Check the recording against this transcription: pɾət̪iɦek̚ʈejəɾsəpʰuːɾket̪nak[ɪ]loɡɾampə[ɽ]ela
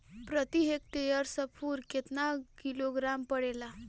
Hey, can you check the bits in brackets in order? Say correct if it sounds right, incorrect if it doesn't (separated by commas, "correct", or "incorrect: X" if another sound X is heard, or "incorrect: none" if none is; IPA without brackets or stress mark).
incorrect: i, correct